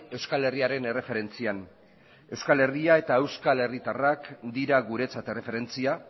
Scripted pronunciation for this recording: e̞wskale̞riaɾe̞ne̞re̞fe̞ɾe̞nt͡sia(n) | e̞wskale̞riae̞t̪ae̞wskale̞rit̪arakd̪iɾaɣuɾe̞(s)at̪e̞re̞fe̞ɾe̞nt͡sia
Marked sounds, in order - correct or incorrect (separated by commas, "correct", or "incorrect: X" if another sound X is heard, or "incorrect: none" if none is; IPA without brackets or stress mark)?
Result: correct, incorrect: t͡s